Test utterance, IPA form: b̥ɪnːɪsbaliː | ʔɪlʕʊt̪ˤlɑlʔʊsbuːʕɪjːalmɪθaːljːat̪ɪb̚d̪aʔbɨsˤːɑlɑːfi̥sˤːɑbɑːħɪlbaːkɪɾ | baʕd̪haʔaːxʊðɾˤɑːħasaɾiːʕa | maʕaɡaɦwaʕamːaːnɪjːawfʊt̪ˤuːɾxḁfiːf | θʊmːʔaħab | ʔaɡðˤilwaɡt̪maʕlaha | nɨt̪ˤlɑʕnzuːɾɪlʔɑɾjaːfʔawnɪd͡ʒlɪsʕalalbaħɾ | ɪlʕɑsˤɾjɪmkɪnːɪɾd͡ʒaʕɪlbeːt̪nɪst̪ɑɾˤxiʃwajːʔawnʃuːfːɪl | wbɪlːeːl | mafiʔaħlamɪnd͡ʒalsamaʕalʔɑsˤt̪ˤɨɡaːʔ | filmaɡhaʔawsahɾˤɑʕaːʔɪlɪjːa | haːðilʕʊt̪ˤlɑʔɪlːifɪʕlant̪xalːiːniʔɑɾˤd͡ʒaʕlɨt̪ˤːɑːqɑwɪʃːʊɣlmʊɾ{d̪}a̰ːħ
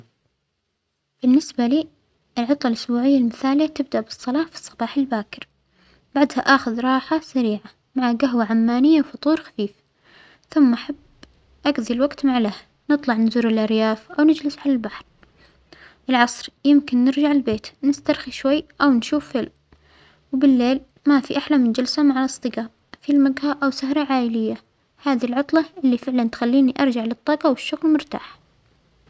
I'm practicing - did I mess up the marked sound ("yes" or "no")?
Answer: yes